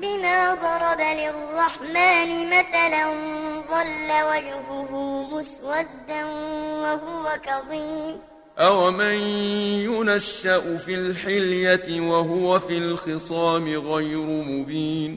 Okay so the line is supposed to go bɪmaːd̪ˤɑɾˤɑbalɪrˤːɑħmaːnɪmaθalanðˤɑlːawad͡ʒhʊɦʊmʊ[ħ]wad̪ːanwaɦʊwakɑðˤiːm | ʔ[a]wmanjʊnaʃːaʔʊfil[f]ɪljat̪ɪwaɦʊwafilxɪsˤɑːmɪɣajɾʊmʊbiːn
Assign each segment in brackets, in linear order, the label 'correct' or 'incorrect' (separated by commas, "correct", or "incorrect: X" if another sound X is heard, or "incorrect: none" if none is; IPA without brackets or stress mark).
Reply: incorrect: s, correct, incorrect: ħ